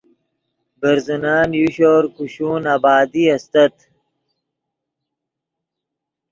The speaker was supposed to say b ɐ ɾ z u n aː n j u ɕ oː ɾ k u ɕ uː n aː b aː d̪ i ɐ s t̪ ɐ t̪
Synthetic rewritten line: b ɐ ɾ z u n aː n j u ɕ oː ɾ k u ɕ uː n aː b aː d̪ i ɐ s t̪ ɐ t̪